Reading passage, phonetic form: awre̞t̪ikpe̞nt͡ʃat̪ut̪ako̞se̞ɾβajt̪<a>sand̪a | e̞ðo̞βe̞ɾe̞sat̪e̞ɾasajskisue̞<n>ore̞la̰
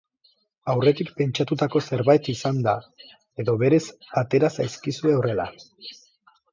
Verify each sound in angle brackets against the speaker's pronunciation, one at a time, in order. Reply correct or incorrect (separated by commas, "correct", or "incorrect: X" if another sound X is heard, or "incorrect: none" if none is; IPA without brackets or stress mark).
incorrect: i, incorrect: none